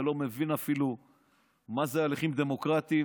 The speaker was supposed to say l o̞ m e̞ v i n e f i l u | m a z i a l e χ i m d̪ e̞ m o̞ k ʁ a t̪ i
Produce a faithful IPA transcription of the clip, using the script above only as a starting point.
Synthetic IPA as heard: l o̞ m e̞ v i n a f i l u | m a z e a l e χ i m d̪ e̞ m o̞ k ʁ a t̪ i